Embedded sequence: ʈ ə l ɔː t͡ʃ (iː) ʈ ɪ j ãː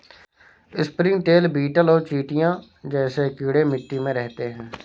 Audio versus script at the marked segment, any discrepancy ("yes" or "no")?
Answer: no